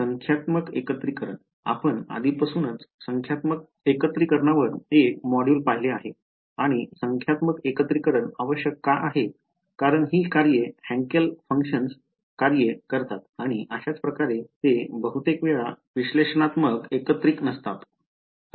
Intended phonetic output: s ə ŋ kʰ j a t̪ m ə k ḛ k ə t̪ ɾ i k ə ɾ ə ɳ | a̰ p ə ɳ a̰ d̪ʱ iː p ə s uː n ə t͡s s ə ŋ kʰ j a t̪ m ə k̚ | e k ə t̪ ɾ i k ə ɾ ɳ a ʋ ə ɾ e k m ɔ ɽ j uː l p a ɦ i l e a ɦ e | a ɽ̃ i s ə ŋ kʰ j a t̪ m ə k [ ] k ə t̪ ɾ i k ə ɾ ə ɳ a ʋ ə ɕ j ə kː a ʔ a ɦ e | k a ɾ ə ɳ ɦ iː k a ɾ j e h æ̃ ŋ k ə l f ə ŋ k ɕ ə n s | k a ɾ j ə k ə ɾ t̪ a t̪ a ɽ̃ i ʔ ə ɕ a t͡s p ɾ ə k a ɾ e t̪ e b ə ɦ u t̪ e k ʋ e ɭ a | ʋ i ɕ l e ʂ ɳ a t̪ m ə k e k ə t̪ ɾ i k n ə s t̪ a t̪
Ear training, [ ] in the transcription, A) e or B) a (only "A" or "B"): A